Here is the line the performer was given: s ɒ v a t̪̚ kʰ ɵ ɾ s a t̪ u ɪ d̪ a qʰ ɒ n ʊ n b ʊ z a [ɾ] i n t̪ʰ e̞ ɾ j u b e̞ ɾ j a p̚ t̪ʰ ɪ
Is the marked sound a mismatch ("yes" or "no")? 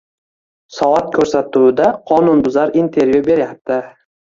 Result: no